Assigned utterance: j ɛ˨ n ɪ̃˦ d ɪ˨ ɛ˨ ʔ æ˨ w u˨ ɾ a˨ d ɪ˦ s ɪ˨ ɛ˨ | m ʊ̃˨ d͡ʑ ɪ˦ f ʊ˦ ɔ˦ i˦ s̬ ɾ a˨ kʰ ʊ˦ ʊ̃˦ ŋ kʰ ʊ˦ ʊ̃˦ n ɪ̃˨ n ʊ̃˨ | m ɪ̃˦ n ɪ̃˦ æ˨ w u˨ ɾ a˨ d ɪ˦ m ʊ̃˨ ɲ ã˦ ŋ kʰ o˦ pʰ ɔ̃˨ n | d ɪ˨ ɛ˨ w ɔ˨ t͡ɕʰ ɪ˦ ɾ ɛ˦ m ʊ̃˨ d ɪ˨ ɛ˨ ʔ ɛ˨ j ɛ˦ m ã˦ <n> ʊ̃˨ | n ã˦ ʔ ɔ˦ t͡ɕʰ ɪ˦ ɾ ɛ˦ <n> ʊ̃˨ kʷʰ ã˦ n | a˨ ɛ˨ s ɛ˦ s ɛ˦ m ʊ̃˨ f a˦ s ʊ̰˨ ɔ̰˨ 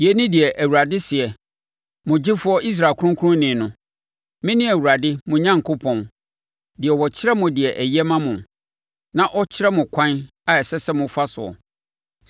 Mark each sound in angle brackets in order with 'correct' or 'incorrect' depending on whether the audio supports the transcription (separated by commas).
incorrect, incorrect